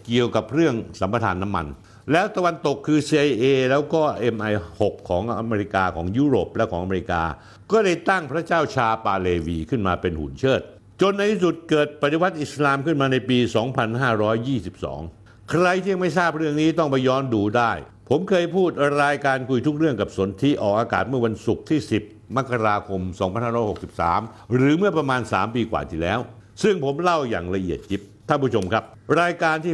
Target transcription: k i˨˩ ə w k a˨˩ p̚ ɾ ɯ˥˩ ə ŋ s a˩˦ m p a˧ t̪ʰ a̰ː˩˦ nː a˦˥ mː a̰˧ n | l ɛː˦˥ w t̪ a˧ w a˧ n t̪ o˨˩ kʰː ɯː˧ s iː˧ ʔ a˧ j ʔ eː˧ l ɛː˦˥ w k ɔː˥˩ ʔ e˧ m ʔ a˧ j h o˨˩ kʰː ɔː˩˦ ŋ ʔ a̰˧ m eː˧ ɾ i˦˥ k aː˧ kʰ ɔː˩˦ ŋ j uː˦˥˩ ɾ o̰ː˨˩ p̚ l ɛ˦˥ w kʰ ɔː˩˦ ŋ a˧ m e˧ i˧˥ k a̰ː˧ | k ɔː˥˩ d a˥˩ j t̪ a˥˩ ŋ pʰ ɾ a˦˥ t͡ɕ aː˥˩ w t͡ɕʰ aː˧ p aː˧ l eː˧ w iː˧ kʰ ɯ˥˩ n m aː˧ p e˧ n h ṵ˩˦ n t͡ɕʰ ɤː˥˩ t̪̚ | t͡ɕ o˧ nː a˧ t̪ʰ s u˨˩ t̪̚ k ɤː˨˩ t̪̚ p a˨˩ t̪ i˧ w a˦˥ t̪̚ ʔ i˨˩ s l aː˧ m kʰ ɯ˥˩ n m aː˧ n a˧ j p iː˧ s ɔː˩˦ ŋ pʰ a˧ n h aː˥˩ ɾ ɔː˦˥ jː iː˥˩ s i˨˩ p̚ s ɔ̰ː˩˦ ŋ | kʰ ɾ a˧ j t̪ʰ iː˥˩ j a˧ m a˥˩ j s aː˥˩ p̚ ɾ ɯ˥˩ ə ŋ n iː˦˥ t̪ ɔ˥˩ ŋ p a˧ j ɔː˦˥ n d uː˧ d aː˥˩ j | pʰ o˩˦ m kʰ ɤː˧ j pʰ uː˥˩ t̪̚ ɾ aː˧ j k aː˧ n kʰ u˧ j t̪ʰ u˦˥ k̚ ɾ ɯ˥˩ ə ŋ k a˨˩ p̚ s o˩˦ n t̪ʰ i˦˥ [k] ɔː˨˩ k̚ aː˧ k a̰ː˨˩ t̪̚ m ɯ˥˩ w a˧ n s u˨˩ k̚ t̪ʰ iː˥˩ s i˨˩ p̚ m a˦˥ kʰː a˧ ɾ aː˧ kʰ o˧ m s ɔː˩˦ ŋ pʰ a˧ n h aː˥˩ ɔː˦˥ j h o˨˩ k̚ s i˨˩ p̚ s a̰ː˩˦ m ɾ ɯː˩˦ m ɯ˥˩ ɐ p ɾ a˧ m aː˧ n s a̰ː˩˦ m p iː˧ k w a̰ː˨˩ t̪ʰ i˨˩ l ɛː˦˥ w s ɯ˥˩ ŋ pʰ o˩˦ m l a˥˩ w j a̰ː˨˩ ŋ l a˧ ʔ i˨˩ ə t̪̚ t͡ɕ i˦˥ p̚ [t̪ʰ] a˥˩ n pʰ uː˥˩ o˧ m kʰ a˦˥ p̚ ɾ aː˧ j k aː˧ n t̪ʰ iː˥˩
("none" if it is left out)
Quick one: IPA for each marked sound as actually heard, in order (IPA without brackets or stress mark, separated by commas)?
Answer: ʔ, t̪ʰ